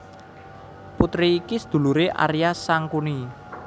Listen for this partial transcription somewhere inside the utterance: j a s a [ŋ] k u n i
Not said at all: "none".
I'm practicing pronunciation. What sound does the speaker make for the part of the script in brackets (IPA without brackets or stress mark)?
ŋ